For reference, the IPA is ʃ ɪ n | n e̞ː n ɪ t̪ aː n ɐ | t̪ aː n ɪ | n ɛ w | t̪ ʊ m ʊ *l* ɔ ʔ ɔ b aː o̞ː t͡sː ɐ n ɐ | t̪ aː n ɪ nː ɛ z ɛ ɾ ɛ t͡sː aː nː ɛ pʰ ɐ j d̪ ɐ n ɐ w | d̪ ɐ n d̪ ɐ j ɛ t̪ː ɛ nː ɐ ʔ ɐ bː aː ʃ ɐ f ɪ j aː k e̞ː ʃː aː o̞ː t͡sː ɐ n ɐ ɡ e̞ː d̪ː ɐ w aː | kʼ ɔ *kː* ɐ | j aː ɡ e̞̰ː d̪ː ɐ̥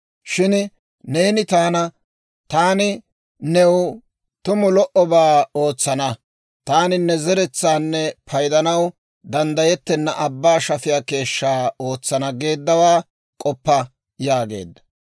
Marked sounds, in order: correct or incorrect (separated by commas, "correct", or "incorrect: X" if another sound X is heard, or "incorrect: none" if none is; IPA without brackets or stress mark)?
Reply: correct, incorrect: pː